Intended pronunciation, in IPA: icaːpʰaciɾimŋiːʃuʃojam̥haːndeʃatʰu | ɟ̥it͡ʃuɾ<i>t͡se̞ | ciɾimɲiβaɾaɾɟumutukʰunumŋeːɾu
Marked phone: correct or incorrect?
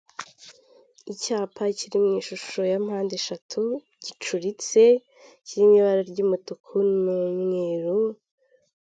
correct